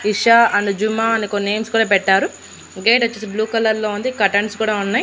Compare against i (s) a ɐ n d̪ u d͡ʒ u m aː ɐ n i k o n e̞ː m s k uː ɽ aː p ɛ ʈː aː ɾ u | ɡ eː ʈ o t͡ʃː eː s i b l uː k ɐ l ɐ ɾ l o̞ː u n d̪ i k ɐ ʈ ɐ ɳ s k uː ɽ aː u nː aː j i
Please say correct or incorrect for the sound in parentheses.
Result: incorrect